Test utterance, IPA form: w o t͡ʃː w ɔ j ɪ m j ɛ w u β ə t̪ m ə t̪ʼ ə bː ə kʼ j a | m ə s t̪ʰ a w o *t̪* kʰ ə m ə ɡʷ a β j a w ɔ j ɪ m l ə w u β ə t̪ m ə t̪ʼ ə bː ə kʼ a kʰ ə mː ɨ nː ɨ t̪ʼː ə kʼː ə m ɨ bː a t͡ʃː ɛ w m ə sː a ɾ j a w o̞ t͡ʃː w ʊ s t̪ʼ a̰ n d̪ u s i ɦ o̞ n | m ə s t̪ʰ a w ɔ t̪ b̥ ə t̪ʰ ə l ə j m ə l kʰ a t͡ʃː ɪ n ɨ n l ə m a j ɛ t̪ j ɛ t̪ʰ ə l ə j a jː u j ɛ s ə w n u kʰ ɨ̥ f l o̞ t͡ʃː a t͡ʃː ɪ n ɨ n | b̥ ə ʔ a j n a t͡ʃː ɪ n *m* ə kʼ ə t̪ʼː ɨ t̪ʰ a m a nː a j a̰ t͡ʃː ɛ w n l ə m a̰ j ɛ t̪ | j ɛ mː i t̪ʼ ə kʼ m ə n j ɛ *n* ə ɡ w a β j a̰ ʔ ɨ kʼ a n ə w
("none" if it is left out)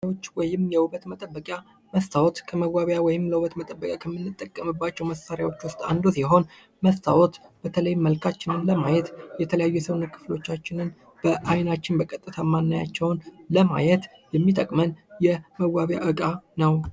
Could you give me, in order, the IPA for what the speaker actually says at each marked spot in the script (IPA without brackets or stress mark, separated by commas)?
t̪, b, m